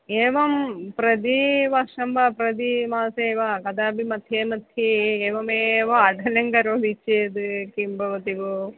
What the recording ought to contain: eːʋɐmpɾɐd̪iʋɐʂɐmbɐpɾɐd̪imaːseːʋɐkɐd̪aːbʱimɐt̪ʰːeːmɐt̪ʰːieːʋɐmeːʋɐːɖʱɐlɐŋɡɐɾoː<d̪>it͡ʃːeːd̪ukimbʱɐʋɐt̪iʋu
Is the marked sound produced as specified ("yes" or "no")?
yes